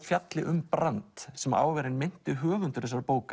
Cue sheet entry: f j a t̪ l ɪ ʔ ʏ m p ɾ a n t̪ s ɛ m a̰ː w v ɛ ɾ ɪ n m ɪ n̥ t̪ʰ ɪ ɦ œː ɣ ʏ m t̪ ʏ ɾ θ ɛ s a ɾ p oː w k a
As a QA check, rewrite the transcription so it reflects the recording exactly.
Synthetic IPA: f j a t̪ l ɪ ʔ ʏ m p ɾ a n t̪ s ɛ m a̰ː w v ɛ ɾ ɪ n m ɪ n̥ t̪ ɪ ɦ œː ɣ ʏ n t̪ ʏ ɾ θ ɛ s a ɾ p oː w k a